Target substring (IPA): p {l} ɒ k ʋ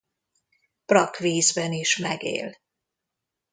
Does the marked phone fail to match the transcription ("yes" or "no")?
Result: yes